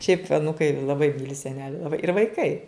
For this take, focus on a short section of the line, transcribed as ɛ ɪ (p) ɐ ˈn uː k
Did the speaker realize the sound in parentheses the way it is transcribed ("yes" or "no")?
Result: yes